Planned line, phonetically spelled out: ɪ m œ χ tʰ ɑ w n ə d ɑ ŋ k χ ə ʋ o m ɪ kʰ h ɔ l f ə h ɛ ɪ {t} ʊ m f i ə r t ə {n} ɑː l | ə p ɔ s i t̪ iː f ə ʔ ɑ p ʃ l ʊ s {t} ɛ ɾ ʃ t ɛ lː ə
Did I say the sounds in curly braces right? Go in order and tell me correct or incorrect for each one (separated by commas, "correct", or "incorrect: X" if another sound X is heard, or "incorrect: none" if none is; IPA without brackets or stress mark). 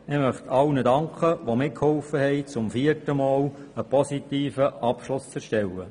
incorrect: t͡s, incorrect: m, incorrect: t͡s